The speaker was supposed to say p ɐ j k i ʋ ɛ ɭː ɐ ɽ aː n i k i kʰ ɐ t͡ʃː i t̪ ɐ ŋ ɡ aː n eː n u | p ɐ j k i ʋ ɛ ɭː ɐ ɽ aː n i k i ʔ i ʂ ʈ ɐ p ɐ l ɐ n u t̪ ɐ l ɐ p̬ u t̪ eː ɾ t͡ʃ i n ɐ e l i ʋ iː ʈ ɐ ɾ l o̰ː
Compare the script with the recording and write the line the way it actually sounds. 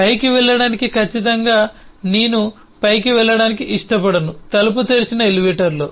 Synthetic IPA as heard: p ɐ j k i ʋ ɛ ɭː ɐ ɽ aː n i k i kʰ ɐ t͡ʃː i t̪ ɐ ŋ ɡ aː n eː n u | p ɐ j k i ʋ ɛ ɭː ɐ ɽ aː n i k i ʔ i ʂ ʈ ɐ p ɐ ɽ ɐ n u t̪ ɐ l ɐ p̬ u t̪ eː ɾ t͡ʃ i n ɐ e l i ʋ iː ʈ ɐ ɾ l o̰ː